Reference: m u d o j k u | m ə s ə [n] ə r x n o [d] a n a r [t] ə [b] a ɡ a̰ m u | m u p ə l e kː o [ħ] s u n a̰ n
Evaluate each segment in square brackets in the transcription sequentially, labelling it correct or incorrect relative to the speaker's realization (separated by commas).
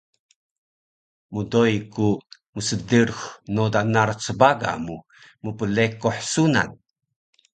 incorrect, correct, incorrect, correct, correct